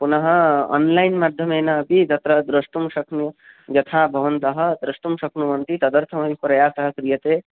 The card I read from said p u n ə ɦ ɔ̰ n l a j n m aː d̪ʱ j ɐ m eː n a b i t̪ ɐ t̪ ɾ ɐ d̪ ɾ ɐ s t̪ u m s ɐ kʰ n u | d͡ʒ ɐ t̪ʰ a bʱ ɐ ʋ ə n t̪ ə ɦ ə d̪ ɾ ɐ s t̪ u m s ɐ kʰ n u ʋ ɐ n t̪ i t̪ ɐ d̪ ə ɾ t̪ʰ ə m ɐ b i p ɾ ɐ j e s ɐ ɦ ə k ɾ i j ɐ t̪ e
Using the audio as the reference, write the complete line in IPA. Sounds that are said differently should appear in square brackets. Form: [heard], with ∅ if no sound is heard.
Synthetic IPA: p u n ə ɦ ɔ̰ n l a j n m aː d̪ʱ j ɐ m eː n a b i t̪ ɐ t̪ ɾ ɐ d̪ ɾ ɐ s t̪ u m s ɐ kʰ n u | d͡ʒ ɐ t̪ʰ a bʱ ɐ ʋ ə n t̪ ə ɦ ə d̪ ɾ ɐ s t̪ u m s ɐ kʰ n u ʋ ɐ n t̪ i t̪ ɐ d̪ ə ɾ t̪ʰ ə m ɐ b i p ɾ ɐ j [a] s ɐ ɦ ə k ɾ i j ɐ t̪ e